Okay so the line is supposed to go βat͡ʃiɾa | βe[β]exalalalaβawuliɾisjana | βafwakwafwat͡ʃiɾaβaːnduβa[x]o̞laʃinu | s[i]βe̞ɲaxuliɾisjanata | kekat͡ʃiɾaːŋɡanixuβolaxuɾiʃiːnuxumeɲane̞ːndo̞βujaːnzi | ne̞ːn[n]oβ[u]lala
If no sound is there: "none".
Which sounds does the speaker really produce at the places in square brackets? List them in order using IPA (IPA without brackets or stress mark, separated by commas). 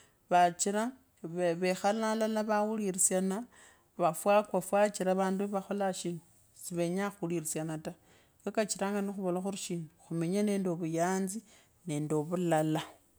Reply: β, x, i, d, u